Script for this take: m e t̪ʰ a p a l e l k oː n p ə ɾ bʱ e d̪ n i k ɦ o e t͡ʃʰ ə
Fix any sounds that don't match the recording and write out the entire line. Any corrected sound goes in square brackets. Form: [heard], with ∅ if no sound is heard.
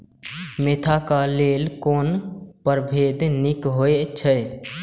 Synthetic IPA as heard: m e t̪ʰ a [k] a l e l k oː n p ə ɾ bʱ e d̪ n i k ɦ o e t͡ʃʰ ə